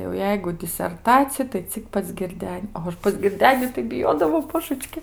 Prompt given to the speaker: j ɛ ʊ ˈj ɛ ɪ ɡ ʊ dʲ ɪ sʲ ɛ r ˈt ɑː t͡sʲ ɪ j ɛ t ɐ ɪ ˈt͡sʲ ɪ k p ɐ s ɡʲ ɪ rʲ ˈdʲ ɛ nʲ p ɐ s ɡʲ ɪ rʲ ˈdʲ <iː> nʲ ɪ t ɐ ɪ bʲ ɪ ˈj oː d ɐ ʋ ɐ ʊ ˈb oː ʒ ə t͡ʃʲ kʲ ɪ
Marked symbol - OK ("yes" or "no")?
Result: no